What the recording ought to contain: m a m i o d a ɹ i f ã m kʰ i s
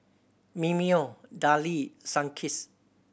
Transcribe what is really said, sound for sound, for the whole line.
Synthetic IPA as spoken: m i m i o d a l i s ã ŋ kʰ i s